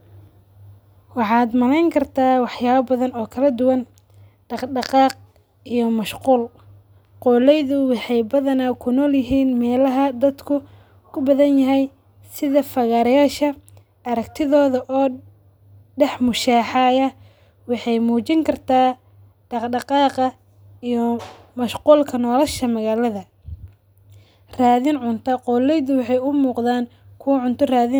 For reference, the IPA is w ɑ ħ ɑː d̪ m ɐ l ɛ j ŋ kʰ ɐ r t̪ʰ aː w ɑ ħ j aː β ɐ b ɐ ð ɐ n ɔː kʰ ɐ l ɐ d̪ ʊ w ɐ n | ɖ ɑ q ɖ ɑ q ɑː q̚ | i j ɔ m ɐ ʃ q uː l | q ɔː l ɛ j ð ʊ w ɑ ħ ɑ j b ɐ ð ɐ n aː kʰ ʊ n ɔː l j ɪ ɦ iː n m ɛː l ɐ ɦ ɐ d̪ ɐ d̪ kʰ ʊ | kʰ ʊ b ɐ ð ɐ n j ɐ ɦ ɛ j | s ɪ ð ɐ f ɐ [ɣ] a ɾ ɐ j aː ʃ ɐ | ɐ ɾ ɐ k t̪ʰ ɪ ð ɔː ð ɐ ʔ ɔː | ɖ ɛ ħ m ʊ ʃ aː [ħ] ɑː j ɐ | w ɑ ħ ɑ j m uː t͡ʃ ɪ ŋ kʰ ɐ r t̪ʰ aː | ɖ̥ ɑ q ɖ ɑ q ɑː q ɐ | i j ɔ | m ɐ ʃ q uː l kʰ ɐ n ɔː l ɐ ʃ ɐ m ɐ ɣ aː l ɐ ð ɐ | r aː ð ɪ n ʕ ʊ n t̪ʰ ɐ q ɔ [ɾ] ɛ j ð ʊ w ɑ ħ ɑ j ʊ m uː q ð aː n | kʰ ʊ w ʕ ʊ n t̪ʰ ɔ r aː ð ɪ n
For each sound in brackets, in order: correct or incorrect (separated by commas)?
correct, correct, incorrect